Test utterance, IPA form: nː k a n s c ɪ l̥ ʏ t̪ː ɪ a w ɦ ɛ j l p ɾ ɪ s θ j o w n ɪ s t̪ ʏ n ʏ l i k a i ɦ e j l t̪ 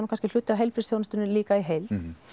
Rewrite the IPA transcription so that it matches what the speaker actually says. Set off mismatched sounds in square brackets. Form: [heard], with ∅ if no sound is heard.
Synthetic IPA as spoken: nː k a n s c ɪ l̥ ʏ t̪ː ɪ a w ɦ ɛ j l p ɾ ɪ s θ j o w n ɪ s t̪ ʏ n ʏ l [iː] k a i ɦ e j l t̪

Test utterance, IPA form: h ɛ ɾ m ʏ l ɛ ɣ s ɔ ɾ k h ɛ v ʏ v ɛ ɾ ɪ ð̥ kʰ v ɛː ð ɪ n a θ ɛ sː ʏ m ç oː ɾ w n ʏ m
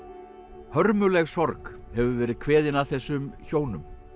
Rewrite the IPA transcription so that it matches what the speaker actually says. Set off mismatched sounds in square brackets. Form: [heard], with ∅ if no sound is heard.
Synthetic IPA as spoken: h [œ] ɾ m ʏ l ɛ ɣ s ɔ ɾ k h ɛ v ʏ v [ɛː] ɾ ɪ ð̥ kʰ v ɛː ð ɪ n a θ ɛ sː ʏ m ç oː [∅] w n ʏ m

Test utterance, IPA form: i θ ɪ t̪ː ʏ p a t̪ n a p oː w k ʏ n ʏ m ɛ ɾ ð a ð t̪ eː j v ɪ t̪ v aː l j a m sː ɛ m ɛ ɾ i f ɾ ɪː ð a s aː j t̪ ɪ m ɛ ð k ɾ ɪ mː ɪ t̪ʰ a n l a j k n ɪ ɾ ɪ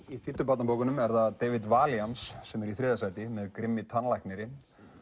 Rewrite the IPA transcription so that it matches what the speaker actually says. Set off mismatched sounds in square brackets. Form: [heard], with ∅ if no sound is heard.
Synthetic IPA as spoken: i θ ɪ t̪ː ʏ p a t̪ n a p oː w k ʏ n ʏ m ɛ ɾ ð a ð t̪ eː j v ɪ t̪ v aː l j a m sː ɛ m ɛ ɾ i [θ] ɾ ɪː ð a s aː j t̪ ɪ m ɛ ð k ɾ ɪ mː ɪ t̪ʰ a n l a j k n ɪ ɾ ɪ

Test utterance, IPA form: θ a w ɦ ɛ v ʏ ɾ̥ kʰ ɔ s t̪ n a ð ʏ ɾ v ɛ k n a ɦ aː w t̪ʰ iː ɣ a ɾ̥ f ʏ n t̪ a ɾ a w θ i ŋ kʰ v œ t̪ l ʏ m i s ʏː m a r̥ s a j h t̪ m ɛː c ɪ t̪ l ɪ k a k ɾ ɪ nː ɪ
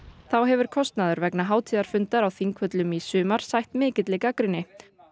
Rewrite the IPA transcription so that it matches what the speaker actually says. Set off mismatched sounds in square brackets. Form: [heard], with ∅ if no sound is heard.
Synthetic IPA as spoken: θ a w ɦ ɛ v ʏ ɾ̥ kʰ ɔ s t̪ n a ð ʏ ɾ v ɛ k n a ɦ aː w t̪ʰ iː [ð] a ɾ̥ f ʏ n t̪ a ɾ a w θ i ŋ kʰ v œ t̪ l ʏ m i s ʏː m a [ɾ̥] s a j h t̪ m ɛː c ɪ t̪ l ɪ k a k ɾ ɪ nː ɪ

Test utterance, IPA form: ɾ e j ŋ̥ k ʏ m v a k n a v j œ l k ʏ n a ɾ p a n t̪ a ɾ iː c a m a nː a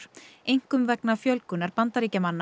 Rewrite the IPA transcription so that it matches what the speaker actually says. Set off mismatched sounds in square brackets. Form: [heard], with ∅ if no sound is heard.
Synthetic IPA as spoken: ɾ e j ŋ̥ k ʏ m v [ɛ] k n a [f] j œ l k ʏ n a ɾ p a n t̪ a ɾ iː c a m a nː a

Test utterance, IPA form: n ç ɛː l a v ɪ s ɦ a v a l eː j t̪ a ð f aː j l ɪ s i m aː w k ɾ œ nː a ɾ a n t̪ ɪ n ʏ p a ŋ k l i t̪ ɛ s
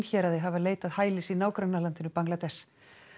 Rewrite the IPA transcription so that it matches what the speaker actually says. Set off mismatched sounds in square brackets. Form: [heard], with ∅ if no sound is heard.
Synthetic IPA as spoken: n ç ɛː [ɾ] a [ð] ɪ [∅] ɦ a v a l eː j t̪ a ð [h] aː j l ɪ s i [n] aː w k ɾ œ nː a [l] a n t̪ ɪ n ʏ p a ŋ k l [a] t̪ ɛ s

